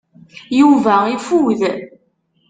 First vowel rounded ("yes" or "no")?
yes